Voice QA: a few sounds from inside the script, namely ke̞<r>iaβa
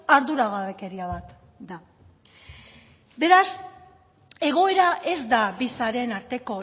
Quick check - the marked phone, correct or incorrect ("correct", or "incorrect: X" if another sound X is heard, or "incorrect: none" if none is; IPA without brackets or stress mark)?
incorrect: ɾ